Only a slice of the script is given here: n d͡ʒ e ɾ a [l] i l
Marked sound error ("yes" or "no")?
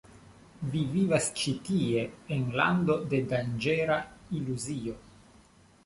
yes